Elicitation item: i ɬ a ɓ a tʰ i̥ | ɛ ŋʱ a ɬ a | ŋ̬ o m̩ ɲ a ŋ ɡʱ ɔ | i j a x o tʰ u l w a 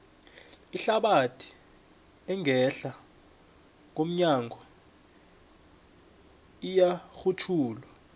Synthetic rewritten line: i ɬ a ɓ a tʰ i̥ | ɛ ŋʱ ɛ ɬ a | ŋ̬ o m̩ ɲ a ŋ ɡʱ ɔ | i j a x u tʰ uː l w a